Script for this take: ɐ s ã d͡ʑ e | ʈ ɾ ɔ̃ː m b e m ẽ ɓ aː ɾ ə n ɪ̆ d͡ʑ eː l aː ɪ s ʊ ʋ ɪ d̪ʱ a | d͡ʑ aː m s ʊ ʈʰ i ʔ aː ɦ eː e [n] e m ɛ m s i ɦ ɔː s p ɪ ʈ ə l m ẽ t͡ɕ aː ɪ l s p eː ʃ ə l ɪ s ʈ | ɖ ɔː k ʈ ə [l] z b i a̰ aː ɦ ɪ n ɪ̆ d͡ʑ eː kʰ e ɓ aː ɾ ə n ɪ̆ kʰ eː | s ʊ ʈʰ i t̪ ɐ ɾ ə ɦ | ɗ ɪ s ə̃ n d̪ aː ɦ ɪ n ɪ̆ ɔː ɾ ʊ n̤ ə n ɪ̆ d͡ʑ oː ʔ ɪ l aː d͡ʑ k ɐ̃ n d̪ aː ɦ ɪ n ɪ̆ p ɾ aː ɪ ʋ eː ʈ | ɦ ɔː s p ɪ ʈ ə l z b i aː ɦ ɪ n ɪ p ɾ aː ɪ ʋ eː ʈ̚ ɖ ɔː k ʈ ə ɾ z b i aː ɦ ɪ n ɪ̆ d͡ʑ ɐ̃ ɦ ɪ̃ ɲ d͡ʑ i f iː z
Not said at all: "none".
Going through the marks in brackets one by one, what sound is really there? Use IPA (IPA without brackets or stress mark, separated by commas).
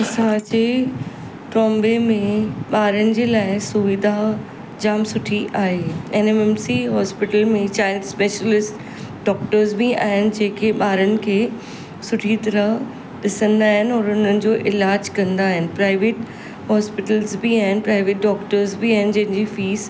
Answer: n, ɾ